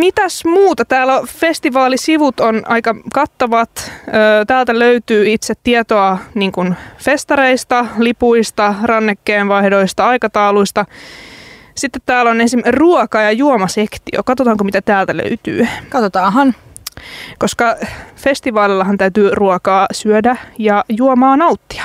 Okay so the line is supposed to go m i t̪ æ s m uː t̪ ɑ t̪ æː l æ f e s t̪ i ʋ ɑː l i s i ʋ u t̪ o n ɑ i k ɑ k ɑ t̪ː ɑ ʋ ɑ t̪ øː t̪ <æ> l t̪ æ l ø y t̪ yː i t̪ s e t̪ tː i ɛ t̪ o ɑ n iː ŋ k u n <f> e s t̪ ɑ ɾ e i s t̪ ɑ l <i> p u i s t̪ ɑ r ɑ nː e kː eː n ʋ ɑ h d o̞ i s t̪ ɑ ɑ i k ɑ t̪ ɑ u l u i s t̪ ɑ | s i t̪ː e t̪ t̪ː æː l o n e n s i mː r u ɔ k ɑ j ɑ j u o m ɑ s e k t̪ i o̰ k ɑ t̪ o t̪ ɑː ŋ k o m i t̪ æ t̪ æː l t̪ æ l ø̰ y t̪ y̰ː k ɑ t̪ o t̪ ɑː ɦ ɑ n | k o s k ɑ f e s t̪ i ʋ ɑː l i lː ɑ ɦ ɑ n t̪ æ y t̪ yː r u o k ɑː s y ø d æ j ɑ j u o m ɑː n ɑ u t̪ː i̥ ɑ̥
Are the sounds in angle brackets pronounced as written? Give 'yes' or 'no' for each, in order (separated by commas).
no, yes, yes